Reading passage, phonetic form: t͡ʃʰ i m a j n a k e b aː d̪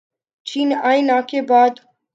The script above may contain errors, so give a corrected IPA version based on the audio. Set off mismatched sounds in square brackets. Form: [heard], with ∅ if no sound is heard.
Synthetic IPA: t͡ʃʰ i [n] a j n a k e b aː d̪